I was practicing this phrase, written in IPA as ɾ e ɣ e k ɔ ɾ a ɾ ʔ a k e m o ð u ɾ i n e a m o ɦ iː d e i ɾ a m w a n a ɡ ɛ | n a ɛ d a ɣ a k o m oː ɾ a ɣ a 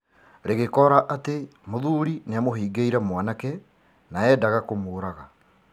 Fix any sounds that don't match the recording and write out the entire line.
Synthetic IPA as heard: ɾ e ɣ e k ɔ ɾ a ʔ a t e m o ð u ɾ i n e a m o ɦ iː ɡ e i ɾ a m w a n a k ɛ | n a ɛ d a ɣ a k o m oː ɾ a ɣ a